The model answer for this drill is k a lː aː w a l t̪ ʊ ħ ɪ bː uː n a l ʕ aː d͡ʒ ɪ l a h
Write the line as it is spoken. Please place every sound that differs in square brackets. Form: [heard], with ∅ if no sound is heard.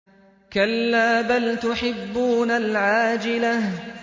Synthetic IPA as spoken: k a lː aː [b] a l t̪ ʊ ħ ɪ bː uː n a l ʕ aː d͡ʒ ɪ l a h